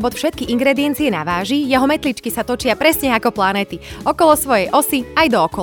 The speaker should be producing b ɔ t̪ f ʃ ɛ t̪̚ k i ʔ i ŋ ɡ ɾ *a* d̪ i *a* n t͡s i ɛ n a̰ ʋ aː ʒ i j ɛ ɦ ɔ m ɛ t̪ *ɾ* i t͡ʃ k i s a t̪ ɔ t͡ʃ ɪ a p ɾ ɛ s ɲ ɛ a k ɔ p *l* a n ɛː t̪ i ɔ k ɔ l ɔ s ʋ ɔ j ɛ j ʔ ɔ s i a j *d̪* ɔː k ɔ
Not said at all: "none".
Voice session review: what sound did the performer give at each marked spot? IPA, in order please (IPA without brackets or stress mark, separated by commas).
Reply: ɛ, ɛ, l, l, d̪